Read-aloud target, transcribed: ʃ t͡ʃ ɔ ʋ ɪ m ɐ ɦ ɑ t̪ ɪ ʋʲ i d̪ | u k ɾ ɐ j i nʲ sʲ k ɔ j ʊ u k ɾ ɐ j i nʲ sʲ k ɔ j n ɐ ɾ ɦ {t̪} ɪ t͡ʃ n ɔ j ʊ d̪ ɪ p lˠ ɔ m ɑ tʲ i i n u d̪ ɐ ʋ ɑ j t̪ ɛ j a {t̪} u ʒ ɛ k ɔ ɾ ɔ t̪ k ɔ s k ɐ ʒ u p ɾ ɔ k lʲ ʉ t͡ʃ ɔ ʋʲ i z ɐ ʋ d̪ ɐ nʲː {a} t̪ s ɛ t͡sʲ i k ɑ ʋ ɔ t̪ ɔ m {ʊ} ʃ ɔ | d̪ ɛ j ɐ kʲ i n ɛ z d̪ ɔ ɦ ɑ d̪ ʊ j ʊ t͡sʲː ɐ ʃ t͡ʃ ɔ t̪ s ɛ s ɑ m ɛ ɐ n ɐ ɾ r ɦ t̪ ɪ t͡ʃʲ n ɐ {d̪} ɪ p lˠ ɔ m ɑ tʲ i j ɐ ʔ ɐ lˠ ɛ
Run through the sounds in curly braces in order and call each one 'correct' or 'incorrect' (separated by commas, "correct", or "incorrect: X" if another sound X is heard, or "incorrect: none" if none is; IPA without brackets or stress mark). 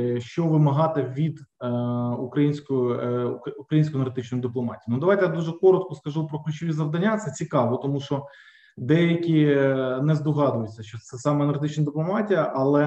correct, incorrect: d̪, correct, incorrect: u, correct